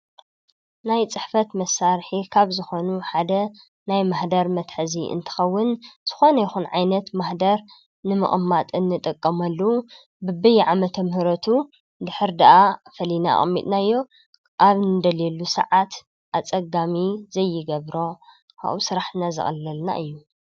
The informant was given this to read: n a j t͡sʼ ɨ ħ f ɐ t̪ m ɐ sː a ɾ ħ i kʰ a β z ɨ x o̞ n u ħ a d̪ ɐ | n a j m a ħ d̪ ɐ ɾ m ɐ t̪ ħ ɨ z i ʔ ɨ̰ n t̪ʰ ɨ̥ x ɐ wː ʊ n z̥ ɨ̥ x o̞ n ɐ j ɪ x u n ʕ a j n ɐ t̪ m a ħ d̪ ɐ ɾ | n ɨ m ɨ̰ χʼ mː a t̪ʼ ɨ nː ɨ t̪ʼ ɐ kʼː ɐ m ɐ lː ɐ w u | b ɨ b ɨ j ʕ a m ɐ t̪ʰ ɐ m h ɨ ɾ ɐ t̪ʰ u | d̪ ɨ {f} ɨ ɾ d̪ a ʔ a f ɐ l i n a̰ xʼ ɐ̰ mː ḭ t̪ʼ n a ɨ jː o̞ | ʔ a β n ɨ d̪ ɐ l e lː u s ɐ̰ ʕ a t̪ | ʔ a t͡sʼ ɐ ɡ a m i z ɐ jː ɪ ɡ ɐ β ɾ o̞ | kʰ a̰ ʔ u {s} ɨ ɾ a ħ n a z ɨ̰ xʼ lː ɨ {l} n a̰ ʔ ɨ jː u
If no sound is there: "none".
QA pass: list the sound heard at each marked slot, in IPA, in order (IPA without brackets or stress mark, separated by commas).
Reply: ħ, s, l